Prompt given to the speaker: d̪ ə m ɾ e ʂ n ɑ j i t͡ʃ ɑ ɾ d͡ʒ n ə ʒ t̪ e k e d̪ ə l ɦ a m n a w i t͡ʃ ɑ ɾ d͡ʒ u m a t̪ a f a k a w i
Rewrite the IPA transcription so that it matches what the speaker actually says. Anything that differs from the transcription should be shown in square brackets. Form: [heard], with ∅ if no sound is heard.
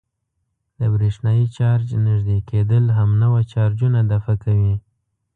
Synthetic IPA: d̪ ə [b] ɾ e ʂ n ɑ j i t͡ʃ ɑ ɾ d͡ʒ n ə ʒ [d̪] e k e d̪ ə l ɦ a m n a w [a] t͡ʃ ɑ ɾ d͡ʒ u [n] a [d̪] a f a k a w i